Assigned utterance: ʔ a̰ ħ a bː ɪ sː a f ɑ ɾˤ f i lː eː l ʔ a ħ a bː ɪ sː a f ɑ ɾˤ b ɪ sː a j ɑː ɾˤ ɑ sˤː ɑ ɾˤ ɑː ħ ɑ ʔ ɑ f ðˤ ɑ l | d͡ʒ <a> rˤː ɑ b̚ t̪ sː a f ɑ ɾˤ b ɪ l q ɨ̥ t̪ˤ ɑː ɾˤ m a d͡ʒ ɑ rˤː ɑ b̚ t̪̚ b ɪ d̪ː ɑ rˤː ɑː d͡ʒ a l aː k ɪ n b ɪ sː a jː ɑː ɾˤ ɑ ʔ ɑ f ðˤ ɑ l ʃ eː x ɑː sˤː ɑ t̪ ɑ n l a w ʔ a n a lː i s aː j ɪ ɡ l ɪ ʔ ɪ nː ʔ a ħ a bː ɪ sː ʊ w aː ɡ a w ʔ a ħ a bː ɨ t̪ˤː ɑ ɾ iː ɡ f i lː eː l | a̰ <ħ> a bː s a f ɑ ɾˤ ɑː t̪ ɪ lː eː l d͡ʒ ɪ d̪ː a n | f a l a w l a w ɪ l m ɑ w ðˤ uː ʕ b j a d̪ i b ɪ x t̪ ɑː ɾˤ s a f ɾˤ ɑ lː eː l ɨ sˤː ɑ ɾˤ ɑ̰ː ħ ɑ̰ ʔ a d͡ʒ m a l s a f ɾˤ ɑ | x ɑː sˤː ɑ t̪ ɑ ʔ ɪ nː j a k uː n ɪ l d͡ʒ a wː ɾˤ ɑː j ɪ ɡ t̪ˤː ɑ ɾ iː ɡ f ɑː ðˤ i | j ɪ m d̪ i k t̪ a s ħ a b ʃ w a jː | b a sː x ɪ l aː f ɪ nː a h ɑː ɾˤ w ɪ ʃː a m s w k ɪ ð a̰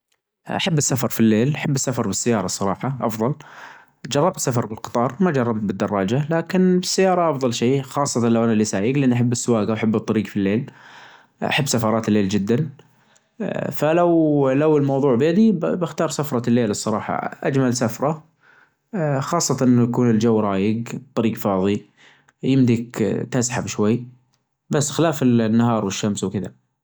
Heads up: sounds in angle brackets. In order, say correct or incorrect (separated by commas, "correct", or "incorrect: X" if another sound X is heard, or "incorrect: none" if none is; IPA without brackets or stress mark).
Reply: incorrect: ɑ, correct